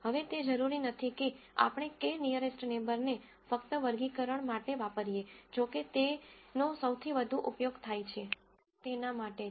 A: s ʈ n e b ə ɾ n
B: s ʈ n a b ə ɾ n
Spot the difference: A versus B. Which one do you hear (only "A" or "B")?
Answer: A